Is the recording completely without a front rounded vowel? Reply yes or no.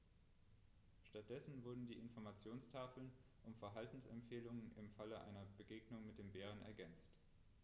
yes